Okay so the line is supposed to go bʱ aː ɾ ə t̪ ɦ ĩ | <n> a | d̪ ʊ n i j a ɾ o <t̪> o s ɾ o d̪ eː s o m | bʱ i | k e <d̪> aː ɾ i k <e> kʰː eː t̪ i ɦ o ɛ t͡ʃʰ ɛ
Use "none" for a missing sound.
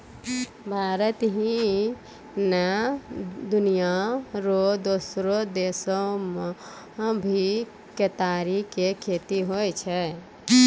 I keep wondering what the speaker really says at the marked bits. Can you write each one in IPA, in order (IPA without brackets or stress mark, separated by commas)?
n, d̪, t̪, e